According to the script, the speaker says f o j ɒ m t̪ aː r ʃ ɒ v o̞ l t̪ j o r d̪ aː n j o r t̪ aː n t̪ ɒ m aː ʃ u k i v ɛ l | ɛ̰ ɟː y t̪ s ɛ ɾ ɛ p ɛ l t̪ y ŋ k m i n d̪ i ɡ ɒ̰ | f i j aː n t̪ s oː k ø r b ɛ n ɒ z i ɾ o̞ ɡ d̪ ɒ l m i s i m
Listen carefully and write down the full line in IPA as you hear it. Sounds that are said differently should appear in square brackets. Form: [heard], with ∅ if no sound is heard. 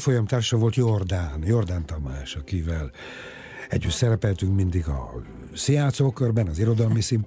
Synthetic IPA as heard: f o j ɒ m t̪ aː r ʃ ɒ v o̞ l t̪ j o r d̪ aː n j o r [d̪] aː n t̪ ɒ m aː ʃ [ɒ] k i v ɛ l | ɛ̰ ɟː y t̪ s ɛ ɾ ɛ p ɛ l t̪ y ŋ k m i n d̪ i ɡ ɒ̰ | [s] i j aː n t̪ s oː k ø r b ɛ n ɒ z i ɾ o̞ [∅] d̪ ɒ l m i s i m